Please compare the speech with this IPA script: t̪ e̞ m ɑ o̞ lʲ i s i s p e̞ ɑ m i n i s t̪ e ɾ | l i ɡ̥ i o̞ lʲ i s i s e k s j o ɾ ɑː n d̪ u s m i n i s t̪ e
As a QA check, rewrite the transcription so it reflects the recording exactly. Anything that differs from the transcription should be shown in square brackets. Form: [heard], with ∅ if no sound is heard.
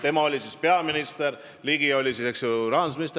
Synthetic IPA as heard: t̪ e̞ m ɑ o̞ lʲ i s i s p e̞ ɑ m i n i s t̪ e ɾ | l i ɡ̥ i o̞ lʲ i s i s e k s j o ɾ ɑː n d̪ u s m i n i s t̪ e